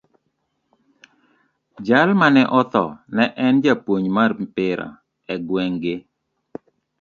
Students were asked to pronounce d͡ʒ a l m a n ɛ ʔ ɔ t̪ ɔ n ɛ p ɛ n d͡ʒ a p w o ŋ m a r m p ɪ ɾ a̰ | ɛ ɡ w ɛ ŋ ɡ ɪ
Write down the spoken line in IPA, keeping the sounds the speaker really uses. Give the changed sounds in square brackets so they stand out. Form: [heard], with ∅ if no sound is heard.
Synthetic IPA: d͡ʒ a l m a n ɛ ʔ ɔ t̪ ɔ n ɛ [ʔ] ɛ n d͡ʒ a p w o [ɲ] m a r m p ɪ ɾ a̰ | ɛ ɡ w ɛ ŋ ɡ ɪ